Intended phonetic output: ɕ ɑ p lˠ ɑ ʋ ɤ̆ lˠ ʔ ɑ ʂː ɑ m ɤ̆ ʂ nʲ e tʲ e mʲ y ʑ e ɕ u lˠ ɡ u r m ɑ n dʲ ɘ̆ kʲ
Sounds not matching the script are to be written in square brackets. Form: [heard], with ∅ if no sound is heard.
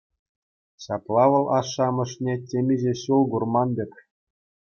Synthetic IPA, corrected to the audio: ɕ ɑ p lˠ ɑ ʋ ɤ̆ lˠ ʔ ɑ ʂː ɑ m ɤ̆ ʂ nʲ e tʲ e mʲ [i] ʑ e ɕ u lˠ ɡ u r m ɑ n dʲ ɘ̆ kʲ